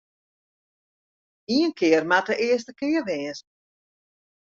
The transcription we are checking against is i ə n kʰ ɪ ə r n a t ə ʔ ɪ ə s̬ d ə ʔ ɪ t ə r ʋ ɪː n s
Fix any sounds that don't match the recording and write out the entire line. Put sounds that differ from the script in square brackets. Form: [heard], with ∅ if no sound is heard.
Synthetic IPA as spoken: i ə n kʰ ɪ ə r [m] a t ə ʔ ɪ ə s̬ [t] ə [k] ɪ [∅] ə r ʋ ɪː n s